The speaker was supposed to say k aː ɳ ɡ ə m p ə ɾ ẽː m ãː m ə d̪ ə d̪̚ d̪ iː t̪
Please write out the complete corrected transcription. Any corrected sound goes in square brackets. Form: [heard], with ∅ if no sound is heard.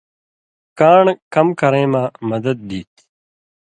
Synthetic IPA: k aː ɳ [k] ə m [k] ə ɾ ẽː m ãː m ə d̪ ə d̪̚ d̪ iː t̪